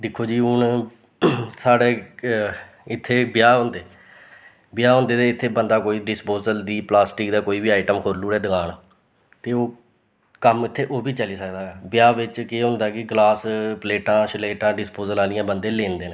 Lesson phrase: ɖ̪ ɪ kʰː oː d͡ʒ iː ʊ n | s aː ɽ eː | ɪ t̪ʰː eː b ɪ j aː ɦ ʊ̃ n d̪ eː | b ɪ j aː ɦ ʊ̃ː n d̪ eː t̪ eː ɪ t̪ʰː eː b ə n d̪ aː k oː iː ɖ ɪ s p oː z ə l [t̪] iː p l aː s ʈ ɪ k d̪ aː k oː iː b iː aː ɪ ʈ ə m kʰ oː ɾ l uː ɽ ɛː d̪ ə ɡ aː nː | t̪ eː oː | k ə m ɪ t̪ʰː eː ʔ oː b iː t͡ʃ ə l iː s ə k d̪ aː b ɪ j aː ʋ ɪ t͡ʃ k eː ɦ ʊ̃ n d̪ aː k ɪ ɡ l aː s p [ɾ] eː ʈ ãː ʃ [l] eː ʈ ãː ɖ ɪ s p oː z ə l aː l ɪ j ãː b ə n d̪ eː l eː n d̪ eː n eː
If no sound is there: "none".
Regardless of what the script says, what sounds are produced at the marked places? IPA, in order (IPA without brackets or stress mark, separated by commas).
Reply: d̪, l, l